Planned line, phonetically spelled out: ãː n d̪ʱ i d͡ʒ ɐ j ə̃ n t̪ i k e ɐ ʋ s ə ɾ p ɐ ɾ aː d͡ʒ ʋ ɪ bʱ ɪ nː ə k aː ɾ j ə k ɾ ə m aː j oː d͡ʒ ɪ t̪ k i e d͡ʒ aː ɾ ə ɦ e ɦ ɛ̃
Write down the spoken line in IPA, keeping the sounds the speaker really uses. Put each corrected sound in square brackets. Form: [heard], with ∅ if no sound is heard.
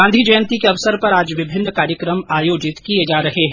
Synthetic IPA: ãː n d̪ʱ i d͡ʒ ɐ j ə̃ n t̪ i k e ɐ ʋ s ə ɾ p ɐ ɾ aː d͡ʒ ʋ ɪ bʱ ɪ nː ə k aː ɾ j ə k ɾ ə m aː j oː d͡ʒ ɪ t̪ k i e d͡ʒ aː ɾ [ɐ] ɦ e ɦ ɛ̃